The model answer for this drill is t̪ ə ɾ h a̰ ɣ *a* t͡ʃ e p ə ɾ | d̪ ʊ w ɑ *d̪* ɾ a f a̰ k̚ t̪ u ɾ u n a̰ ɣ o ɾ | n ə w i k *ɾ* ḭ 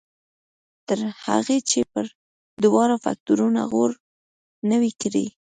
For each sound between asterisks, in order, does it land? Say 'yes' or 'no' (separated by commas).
no, no, yes